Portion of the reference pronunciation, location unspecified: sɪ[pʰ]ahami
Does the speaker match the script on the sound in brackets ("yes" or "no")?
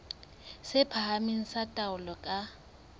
yes